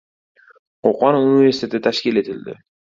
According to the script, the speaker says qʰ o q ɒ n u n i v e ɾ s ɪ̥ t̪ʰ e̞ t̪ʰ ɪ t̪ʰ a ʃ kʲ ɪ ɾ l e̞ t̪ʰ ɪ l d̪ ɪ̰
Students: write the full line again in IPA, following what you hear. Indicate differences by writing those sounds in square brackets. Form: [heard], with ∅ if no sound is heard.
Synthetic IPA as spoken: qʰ o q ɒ n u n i v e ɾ s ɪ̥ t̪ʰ e̞ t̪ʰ ɪ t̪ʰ a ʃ kʲ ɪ [∅] l e̞ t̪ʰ ɪ l d̪ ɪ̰